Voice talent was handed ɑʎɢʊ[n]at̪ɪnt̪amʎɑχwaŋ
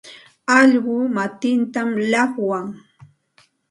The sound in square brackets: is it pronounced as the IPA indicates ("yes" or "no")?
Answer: no